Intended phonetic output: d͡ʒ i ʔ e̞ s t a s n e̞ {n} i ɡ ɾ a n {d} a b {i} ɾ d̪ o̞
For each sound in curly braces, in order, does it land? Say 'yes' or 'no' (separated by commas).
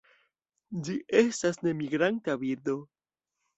no, no, yes